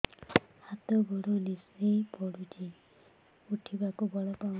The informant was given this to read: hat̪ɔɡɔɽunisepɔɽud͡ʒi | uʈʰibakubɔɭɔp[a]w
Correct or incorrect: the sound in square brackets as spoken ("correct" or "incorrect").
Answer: correct